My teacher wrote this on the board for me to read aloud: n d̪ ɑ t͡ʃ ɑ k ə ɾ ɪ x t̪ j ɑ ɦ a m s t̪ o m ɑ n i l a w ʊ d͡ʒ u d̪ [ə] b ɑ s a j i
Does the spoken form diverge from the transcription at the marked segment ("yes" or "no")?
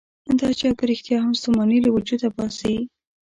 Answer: yes